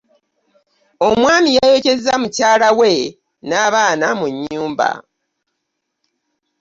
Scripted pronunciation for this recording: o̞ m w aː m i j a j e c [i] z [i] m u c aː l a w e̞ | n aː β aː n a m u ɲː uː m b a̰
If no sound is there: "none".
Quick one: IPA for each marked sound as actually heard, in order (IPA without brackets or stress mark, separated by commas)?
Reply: e, a